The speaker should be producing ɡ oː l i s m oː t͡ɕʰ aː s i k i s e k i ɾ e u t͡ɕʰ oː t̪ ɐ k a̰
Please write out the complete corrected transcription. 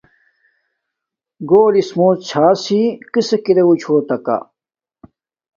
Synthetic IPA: ɡ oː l i s m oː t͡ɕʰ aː s i k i s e k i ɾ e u t͡ɕʰ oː t̪ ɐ k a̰